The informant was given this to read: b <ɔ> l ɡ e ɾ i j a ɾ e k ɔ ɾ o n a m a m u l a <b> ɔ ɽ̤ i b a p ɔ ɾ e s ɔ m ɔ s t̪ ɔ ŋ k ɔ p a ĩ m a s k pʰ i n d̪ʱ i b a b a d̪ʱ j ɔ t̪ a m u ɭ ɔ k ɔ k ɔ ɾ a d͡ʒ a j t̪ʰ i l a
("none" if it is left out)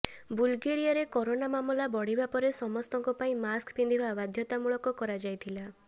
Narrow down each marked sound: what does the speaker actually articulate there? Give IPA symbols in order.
u, b

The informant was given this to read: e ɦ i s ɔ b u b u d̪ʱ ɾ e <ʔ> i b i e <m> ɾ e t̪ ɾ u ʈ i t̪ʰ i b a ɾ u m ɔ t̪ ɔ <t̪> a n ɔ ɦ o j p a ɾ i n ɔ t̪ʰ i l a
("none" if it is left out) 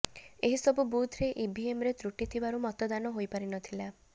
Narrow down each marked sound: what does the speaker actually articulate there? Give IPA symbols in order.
ʔ, m, d̪

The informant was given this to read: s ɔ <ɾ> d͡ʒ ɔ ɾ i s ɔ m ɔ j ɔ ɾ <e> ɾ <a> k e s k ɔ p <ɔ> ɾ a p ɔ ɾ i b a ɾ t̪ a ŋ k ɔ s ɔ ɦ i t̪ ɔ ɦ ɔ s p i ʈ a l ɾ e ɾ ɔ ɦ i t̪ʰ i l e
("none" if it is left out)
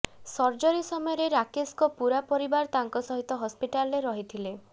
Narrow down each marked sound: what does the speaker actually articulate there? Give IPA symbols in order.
ɾ, e, a, u

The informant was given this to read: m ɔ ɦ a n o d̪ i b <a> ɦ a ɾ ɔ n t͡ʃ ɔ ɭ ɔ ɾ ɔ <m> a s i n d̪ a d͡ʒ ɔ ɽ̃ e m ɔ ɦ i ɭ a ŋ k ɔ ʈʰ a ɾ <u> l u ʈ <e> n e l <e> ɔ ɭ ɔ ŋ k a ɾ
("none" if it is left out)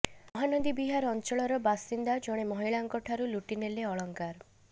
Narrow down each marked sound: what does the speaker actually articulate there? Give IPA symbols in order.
i, b, u, i, e

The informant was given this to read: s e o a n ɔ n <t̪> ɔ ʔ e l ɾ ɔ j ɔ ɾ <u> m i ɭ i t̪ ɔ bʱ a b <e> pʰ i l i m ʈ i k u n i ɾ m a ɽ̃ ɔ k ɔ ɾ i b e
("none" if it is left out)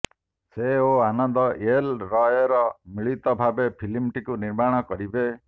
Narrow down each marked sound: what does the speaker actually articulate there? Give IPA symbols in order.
d̪, ɔ, e

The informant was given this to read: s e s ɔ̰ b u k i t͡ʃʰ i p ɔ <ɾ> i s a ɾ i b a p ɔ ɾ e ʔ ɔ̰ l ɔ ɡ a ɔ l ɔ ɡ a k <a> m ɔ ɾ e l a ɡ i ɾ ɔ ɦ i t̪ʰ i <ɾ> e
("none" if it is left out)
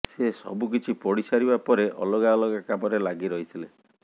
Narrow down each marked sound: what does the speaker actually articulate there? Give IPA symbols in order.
ɽ, a, l

